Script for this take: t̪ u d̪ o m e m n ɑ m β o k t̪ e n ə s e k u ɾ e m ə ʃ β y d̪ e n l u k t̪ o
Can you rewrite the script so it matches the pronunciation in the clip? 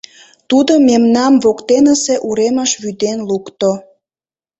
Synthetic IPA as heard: t̪ u d̪ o m e m n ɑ m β o k t̪ e n ə s e ʔ u ɾ e m ə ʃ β y d̪ e n l u k t̪ o